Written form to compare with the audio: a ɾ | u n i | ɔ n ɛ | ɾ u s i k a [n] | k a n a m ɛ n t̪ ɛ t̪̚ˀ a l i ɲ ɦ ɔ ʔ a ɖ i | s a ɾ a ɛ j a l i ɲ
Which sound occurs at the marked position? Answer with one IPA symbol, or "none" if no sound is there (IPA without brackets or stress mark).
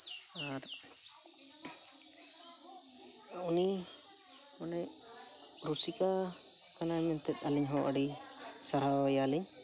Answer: none